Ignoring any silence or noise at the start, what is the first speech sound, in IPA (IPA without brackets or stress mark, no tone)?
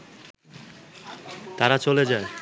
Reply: t̪